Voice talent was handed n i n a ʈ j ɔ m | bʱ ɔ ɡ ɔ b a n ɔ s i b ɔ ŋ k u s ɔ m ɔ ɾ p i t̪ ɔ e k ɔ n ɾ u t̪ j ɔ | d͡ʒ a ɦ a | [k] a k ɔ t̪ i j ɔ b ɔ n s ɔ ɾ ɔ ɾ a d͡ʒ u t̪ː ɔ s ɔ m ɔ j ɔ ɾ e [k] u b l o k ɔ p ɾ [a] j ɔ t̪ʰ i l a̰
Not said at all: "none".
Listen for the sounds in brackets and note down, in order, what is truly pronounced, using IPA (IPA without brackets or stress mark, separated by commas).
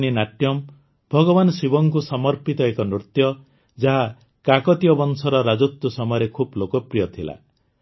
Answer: k, kʰ, i